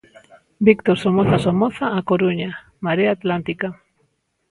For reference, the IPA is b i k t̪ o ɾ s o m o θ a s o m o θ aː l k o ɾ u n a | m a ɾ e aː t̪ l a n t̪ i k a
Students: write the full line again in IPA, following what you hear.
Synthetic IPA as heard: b i k t̪ o ɾ s o m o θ a s o m o θ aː k o ɾ u ɲ a | m a ɾ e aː t̪ l a n t̪ i k a

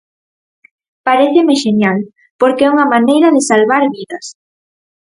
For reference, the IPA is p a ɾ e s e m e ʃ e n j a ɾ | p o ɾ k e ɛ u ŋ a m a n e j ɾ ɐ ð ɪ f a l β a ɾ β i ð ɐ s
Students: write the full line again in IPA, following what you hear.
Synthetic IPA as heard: p a ɾ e θ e m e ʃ e n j a l | p o ɾ k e ɛ u ŋ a m a n e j ɾ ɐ ð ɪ s a l β a ɾ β i ð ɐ s

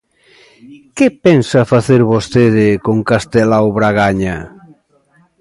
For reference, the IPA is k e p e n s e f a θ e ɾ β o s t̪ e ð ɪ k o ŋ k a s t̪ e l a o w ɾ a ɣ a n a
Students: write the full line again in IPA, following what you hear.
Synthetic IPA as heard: k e p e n s a f a θ e ɾ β o s t̪ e ð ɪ k o ŋ k a s t̪ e l a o β ɾ a ɣ a ɲ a

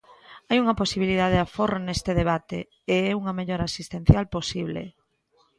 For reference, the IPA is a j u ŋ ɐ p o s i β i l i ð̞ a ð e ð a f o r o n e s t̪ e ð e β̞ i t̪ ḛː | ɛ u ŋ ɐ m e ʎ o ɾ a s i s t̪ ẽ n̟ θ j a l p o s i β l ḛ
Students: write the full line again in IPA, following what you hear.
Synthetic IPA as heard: a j u ŋ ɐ p o s i β i l i ð̞ a ð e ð a f o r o n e s t̪ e ð e β̞ a t̪ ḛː | ɛ u ŋ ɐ m e ʎ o ɾ a s i s t̪ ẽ n̟ θ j a l p o s i β l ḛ

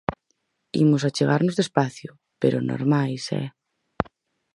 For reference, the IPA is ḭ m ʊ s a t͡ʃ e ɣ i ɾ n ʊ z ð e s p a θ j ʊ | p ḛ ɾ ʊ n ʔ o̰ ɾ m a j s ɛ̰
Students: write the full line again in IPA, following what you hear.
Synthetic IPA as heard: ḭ m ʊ s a t͡ʃ e ɣ a ɾ n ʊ z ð e s p a θ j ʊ | p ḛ ɾ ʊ n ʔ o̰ ɾ m a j s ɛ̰

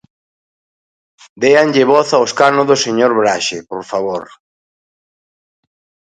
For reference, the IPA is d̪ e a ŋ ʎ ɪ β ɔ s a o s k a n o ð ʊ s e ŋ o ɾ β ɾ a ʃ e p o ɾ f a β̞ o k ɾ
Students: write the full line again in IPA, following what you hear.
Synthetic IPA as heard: d̪ e a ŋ ʎ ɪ β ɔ θ a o s k a n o ð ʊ s e ɲ o ɾ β ɾ a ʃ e p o ɾ f a β̞ o ɾ

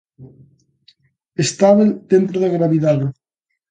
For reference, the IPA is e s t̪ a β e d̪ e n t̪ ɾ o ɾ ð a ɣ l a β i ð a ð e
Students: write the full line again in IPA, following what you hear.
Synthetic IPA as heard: e s t̪ a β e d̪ e n t̪ ɾ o ð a ɣ ɾ a β i ð a ð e

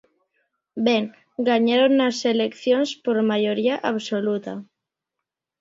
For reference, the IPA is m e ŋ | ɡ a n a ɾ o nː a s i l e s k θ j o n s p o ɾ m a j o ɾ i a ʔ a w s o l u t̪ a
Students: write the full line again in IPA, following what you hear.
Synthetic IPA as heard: b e ŋ | ɡ a ɲ a ɾ o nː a s e l e k θ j o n s p o ɾ m a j o ɾ i a ʔ a β s o l u t̪ a

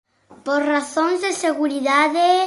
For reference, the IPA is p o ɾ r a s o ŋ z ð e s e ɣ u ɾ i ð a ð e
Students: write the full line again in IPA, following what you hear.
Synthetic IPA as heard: p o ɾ r a θ o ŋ z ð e s e ɣ u ɾ i ð a ð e

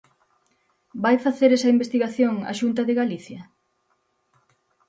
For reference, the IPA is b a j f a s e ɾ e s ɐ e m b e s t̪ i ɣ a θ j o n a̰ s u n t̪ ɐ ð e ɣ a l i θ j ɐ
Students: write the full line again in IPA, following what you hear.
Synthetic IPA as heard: b a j f a θ e ɾ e s ɐ i m b e s t̪ i ɣ a θ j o ŋ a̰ ʃ u n t̪ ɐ ð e ɣ a l i θ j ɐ

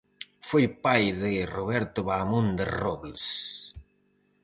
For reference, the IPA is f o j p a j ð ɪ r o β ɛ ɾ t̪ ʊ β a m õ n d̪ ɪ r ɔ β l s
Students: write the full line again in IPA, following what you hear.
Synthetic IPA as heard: f o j p a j ð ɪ r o β ɛ ɾ t̪ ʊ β a m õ n d̪ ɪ r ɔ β l s

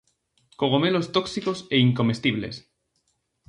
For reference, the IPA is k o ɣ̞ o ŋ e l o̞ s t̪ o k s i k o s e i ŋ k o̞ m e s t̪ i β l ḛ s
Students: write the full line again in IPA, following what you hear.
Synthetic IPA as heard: k o ɣ̞ o m e l o̞ s t̪ o k s i k o s e i ŋ k o̞ m e s t̪ i β l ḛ s

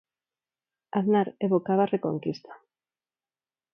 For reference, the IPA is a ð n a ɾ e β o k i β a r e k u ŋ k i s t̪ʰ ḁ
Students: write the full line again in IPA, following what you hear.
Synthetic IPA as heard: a ð n a ɾ e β o k a β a r e k o ŋ k i s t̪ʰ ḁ

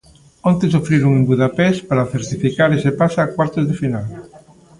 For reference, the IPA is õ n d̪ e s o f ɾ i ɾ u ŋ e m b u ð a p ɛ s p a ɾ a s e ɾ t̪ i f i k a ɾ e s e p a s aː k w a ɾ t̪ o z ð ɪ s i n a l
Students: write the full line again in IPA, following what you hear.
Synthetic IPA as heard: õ n t̪ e s o f ɾ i ɾ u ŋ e m b u ð a p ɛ s p a ɾ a θ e ɾ t̪ i f i k a ɾ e s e p a s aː k w a ɾ t̪ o z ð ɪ f i n a l

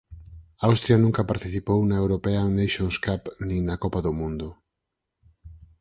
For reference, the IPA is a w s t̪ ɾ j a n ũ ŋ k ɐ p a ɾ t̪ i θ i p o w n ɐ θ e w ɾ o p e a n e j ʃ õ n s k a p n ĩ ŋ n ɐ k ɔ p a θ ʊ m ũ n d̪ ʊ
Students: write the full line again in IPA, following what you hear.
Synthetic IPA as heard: a w s t̪ ɾ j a n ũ ŋ k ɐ p a ɾ t̪ i θ i p o w n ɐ e w ɾ o p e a n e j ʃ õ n s k a p n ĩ ŋ n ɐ k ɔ p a ð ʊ m ũ n d̪ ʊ

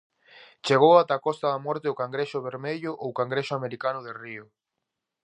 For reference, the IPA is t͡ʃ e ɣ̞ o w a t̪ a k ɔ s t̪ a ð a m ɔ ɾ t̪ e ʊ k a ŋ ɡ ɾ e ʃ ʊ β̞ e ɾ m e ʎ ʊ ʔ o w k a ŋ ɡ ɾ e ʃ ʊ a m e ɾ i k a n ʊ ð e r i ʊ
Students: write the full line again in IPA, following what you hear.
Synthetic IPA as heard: t͡ʃ e ɣ̞ o w a t̪ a k ɔ s t̪ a ð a m ɔ ɾ t̪ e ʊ k a ŋ ɡ ɾ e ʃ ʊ β̞ e ɾ m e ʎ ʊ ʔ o w k a ŋ ɡ ɾ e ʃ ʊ a m e ɾ i k a n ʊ ð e r i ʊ

